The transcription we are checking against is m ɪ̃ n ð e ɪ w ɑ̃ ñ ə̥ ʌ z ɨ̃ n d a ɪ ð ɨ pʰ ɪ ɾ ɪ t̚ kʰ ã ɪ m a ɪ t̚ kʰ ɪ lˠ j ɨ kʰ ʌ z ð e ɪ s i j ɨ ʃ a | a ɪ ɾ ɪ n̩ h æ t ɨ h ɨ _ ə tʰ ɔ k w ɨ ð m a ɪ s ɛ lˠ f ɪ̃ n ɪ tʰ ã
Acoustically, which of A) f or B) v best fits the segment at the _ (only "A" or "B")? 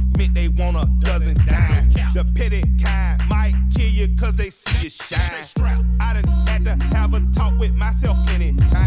B